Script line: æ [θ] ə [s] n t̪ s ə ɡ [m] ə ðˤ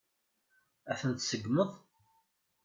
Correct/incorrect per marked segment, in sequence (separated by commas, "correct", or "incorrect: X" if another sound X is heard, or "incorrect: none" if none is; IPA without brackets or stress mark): correct, incorrect: none, correct